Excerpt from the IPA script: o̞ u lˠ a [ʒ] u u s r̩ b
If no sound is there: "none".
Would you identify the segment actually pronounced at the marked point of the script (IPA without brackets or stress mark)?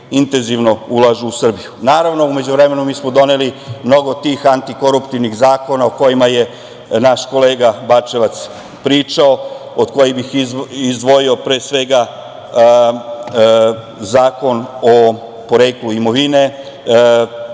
ʒ